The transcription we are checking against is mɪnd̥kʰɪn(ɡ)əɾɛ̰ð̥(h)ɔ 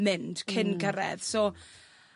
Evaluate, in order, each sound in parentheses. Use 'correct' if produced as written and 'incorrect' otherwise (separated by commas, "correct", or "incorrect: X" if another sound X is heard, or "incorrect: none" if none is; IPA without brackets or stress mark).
correct, incorrect: s